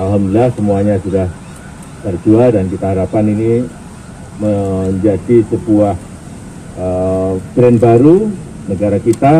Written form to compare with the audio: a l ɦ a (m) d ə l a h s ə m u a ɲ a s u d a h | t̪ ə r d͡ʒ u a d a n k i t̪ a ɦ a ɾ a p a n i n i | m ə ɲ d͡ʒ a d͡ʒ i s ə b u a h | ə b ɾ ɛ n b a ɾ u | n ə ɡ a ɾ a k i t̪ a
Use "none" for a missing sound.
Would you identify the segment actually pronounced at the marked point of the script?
m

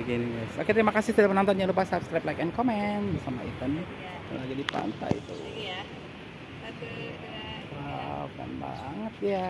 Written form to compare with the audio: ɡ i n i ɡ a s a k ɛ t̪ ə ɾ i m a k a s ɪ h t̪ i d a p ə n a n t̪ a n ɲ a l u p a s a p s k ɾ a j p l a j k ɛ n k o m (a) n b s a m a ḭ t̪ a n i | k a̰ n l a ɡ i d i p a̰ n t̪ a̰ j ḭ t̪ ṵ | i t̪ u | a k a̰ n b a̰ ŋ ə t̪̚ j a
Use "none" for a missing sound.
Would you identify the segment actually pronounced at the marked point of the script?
ɛ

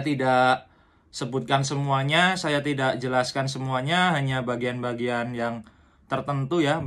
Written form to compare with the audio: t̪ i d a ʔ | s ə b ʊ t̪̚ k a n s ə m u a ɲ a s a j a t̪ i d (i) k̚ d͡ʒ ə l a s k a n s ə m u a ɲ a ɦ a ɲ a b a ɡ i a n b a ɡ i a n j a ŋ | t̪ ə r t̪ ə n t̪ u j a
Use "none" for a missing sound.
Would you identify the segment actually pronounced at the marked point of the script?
a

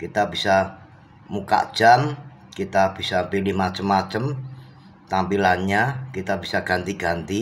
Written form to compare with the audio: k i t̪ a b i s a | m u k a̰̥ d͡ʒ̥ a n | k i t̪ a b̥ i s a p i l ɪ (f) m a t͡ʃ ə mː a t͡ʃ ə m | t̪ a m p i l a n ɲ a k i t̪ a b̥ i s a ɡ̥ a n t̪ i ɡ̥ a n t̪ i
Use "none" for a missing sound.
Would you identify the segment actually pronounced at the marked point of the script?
h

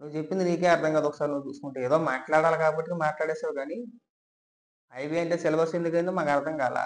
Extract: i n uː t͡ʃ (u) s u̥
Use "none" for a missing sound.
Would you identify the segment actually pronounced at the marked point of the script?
uː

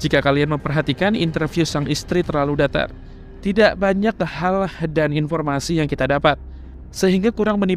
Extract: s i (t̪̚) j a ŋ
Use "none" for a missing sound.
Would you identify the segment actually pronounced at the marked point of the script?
none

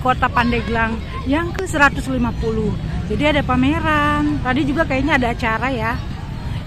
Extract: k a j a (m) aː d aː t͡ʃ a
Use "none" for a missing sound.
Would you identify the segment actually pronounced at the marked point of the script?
ɲ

